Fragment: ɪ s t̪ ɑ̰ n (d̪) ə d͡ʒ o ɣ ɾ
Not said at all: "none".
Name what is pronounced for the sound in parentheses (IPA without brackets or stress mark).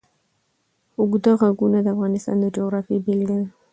d̪